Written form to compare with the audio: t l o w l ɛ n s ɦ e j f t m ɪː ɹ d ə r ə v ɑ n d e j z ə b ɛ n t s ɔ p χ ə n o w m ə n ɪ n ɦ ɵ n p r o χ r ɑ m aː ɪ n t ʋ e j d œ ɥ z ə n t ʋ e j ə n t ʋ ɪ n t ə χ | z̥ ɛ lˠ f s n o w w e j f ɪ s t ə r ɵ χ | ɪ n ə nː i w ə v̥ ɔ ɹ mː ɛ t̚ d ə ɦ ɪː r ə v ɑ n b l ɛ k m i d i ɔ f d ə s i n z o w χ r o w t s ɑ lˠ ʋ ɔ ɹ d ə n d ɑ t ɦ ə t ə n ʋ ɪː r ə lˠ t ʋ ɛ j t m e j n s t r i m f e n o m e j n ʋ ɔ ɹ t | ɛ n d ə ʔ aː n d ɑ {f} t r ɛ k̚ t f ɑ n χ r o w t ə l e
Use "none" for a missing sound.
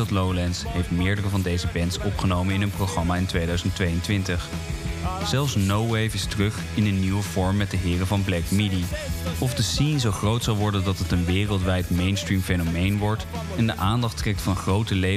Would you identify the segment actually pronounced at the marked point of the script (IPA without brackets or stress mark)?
χ